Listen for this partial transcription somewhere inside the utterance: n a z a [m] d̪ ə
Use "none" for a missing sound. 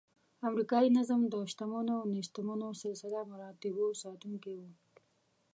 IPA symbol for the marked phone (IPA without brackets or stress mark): m